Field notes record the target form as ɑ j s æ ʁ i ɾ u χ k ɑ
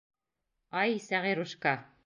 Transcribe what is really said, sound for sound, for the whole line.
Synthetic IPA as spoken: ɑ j s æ ʁ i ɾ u ʃ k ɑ